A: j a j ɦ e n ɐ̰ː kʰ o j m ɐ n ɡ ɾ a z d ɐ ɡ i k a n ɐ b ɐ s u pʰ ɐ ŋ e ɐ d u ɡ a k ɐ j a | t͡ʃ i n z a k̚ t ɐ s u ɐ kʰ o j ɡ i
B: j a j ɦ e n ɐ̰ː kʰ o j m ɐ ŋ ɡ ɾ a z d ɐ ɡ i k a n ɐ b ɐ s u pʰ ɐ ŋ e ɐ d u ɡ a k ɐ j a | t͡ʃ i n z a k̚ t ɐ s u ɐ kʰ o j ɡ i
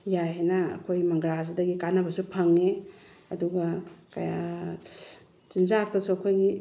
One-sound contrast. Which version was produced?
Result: B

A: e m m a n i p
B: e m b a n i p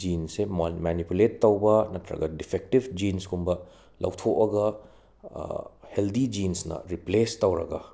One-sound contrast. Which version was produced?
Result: A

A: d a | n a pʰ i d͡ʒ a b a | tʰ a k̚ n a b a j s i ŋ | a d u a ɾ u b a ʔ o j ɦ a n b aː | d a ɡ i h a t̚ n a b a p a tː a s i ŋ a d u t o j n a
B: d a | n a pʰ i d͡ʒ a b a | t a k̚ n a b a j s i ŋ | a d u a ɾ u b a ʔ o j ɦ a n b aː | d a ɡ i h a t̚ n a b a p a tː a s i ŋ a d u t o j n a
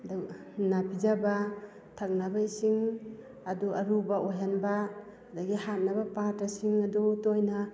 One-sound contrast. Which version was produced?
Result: A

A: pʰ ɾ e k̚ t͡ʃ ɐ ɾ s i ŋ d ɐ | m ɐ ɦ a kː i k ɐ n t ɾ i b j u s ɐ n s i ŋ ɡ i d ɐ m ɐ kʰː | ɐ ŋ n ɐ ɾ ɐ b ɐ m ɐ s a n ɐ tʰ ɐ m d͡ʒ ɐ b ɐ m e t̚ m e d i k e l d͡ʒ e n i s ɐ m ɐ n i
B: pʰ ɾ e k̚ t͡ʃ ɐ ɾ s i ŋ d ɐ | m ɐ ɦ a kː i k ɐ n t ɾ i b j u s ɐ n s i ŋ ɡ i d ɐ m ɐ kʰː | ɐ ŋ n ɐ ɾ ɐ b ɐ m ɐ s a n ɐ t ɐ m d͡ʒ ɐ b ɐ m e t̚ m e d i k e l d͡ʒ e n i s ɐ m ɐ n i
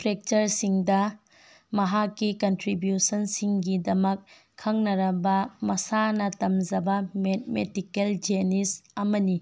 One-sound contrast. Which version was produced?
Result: B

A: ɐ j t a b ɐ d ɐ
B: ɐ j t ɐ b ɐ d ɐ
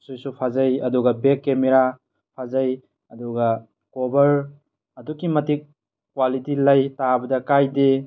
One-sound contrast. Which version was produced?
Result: A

